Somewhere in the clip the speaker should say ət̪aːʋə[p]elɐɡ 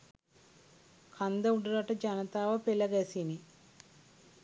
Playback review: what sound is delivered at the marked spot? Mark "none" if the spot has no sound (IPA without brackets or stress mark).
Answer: p